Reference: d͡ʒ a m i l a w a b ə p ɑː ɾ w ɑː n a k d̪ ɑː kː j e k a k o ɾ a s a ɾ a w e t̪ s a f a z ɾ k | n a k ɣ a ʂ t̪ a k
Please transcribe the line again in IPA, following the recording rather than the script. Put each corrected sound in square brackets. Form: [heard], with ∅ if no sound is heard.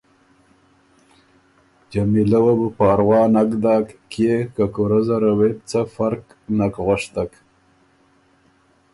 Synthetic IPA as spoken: d͡ʒ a m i l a w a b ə p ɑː ɾ w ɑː n a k d̪ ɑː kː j e k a k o ɾ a [z] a ɾ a w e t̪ [t͡s] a f a [∅] ɾ k | n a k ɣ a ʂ t̪ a k

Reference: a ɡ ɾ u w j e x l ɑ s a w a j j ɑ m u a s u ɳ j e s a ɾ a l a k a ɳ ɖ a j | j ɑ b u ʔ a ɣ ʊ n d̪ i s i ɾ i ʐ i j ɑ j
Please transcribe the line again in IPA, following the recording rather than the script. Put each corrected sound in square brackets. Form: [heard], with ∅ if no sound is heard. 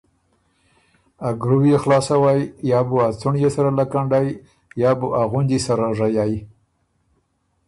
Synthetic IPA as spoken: a ɡ ɾ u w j e x l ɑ s a w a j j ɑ [b] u a [t͡s] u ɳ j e s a ɾ a l a k a ɳ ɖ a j | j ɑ b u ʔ a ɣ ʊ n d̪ i s [a] ɾ [a] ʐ [a] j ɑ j

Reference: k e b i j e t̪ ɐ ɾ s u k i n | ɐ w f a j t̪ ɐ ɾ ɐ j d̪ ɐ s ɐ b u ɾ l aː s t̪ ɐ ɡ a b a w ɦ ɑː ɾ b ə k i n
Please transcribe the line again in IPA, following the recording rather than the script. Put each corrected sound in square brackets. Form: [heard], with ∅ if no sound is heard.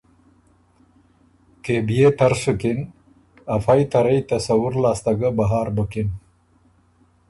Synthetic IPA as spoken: k e b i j e t̪ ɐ ɾ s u k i n | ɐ [∅] f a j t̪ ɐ ɾ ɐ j [t̪] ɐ s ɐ [w] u ɾ l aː s t̪ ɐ ɡ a b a [∅] ɦ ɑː ɾ b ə k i n

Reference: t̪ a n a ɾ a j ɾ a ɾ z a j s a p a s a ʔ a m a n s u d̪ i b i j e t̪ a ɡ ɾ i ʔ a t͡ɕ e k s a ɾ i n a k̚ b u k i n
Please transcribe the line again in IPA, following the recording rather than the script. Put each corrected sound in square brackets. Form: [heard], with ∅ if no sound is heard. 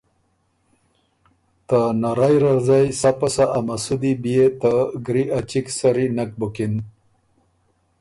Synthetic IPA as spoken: t̪ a n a ɾ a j ɾ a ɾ z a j s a p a s a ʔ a m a [∅] s u d̪ i b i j e t̪ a ɡ ɾ i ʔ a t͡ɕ [i] k s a ɾ i n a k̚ b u k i n

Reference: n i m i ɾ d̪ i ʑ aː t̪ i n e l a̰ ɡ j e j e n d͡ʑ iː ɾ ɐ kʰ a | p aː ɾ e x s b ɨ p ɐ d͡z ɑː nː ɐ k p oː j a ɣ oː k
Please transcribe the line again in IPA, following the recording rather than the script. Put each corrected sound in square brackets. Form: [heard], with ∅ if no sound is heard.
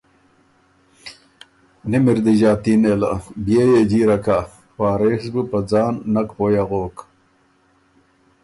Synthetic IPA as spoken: n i m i ɾ d̪ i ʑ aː t̪ i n e l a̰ [b] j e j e [∅] d͡ʑ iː ɾ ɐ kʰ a | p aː ɾ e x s b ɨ p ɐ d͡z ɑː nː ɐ k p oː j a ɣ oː k

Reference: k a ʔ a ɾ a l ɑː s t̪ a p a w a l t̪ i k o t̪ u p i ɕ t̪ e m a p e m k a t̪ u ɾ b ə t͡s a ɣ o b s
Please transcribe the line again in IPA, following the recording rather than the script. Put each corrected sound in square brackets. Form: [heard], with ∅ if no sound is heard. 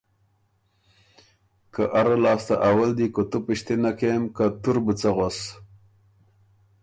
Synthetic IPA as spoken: k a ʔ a ɾ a l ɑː s t̪ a [ʔ] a w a l [d̪] i k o t̪ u p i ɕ t̪ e [n] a [k] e m k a t̪ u ɾ b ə t͡s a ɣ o [∅] s

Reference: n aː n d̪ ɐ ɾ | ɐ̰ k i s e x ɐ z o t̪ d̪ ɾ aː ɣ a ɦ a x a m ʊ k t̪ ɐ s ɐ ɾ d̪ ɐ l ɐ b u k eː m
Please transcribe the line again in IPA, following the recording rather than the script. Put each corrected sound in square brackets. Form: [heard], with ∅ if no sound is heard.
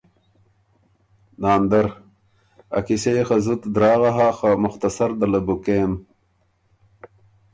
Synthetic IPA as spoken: n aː n d̪ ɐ ɾ | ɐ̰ k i s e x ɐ z [u] t̪ d̪ ɾ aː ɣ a ɦ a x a m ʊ [x] t̪ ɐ s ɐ ɾ d̪ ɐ l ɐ b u k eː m

